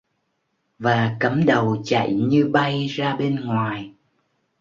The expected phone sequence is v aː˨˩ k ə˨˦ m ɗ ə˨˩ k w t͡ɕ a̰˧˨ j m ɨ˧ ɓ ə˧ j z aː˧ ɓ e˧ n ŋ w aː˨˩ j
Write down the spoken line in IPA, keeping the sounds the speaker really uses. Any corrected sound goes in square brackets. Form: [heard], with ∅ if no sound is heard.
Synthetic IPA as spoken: v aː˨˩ k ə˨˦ m ɗ ə˨˩ [∅] w t͡ɕ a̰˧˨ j [ɲ] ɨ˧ ɓ [a˧] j z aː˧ ɓ e˧ n ŋ w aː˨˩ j